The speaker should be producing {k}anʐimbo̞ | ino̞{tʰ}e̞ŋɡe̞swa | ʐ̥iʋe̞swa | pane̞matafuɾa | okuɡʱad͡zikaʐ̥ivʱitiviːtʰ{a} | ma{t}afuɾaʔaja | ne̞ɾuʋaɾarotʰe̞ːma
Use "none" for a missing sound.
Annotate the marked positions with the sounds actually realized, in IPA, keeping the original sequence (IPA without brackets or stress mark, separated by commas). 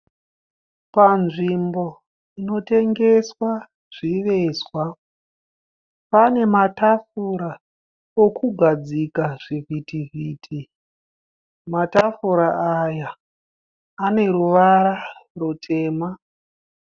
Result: p, t, i, t